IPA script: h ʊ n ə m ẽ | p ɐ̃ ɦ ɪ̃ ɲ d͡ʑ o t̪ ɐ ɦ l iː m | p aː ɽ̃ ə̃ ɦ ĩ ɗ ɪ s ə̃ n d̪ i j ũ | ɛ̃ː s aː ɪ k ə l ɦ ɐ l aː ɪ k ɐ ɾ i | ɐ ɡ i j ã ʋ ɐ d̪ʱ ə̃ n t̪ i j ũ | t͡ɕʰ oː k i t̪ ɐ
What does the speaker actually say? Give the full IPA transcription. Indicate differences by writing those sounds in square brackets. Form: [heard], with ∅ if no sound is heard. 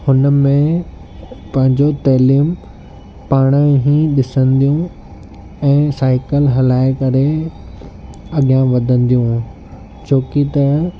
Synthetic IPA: h ʊ n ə m ẽ | p ɐ̃ ɦ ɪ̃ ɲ d͡ʑ o t̪ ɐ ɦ l iː m | p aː ɽ̃ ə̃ ɦ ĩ ɗ ɪ s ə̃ n d̪ i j ũ | ɛ̃ː s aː ɪ k ə l ɦ ɐ l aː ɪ k ɐ ɾ [e] | ɐ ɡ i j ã ʋ ɐ d̪ʱ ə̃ n [d̪] i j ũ | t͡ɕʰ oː k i t̪ ɐ